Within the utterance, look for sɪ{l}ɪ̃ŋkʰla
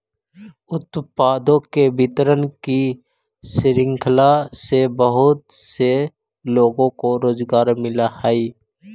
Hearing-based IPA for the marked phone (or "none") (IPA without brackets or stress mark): ɾ